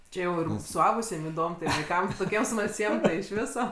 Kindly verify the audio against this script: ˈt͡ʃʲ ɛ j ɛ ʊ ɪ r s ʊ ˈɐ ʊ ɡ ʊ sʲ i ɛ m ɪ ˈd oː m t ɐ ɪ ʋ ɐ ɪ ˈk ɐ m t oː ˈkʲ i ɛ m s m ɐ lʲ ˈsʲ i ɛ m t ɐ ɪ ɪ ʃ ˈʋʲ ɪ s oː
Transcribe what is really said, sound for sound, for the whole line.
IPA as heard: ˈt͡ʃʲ ɛ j ɛ ʊ ɪ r s ʊ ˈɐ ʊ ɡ ʊ sʲ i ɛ m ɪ ˈd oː m t ɐ ɪ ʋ ɐ ɪ ˈk ɐ m t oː ˈkʲ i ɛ m s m ɐ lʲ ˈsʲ i ɛ m t ɐ ɪ ɪ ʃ ˈʋʲ ɪ s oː